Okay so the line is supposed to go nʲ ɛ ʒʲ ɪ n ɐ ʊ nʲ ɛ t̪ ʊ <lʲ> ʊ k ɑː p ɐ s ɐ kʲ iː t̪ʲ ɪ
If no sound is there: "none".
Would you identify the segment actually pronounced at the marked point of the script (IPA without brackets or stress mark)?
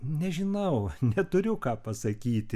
ɾʲ